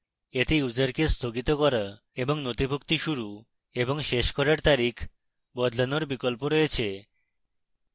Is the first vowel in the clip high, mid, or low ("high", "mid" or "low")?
mid